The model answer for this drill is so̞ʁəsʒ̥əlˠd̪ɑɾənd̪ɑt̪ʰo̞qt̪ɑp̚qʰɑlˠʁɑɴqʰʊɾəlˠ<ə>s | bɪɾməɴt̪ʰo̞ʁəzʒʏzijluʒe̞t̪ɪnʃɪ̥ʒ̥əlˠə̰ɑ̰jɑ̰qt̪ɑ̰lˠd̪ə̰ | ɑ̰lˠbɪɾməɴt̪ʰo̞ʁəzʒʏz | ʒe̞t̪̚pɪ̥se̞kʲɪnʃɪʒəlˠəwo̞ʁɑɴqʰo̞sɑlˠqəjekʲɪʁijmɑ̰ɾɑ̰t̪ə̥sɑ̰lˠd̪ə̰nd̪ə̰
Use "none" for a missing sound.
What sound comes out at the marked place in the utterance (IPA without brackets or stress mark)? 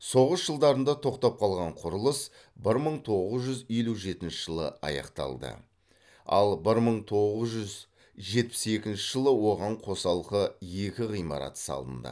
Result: ə